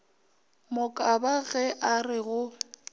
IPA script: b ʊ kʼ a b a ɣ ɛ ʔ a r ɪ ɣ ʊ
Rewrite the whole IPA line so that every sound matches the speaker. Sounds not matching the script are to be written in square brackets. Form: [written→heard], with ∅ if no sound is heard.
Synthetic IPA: [b→m] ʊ kʼ a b a ɣ ɛ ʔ a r ɪ ɣ ʊ

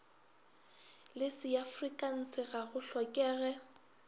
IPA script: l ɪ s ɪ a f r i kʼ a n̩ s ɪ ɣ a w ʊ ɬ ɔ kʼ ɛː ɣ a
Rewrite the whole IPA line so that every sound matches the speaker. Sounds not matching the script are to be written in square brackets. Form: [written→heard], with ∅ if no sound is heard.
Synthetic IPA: l ɪ s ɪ a f r i kʼ a n̩ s ɪ ɣ a [w→ɣ] ʊ ɬ ɔ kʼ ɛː ɣ [a→ɛ]

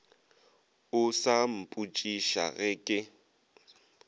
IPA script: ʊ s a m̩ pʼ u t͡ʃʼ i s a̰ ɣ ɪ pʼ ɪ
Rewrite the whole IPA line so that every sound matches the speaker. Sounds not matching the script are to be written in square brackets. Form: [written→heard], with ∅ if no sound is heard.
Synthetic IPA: ʊ s a m̩ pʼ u t͡ʃʼ i [s→ʃ] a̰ ɣ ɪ [pʼ→kʼ] ɪ

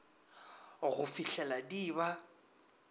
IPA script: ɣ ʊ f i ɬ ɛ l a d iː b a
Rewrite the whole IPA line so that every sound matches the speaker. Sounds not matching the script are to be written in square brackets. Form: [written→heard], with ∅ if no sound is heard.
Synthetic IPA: ɣ ʊ f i ɬ ɛ l a d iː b a

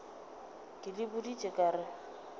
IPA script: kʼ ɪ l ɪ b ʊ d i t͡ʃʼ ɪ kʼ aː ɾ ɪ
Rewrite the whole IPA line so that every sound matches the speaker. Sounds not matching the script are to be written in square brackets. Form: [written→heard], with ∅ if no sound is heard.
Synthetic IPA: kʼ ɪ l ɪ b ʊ d i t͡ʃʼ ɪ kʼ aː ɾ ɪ

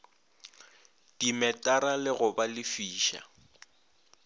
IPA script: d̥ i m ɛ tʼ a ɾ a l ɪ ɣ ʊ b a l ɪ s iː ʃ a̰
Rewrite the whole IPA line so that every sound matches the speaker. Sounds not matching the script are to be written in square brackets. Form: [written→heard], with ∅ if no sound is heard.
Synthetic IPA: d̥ i m ɛ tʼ a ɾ a l ɪ ɣ ʊ b a l ɪ [s→f] iː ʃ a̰

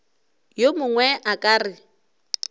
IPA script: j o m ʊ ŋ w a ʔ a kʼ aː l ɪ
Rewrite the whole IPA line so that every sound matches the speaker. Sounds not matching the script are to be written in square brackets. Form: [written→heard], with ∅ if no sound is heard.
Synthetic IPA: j o m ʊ ŋ w [a→ɛ] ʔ a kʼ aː [l→r] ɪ

